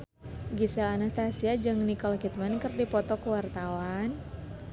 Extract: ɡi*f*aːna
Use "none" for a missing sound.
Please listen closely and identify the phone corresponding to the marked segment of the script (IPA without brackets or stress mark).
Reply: s